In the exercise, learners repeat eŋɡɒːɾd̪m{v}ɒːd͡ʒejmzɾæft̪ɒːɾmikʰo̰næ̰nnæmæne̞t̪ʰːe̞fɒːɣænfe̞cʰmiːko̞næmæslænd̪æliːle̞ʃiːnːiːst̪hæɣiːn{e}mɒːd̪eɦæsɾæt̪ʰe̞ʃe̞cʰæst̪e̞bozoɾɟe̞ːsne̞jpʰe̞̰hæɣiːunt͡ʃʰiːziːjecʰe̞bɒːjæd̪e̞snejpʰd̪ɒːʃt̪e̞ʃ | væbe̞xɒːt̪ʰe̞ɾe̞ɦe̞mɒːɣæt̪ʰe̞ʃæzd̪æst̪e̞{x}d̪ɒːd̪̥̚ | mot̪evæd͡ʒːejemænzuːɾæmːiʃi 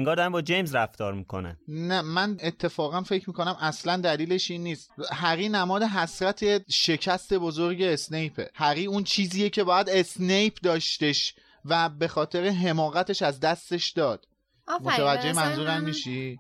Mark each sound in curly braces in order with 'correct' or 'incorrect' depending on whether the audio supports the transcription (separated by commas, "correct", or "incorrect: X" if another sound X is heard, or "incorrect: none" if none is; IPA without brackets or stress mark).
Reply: incorrect: b, incorrect: æ, incorrect: ʃ